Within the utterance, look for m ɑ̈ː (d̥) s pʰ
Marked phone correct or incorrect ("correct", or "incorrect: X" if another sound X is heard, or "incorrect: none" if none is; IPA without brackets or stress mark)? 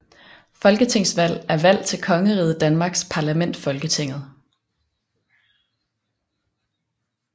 incorrect: ɡ̥